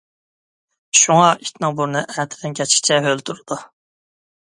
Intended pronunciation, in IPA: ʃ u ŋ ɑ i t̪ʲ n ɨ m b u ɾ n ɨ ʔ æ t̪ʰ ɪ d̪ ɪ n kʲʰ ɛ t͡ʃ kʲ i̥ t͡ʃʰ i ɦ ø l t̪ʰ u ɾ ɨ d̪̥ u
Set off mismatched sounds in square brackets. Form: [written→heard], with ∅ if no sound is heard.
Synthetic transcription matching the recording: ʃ u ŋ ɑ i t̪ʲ n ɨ [m→ŋ] b u ɾ n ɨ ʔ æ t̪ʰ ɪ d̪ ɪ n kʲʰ ɛ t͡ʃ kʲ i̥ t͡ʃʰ [i→ɛ] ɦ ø l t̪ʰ u ɾ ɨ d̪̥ u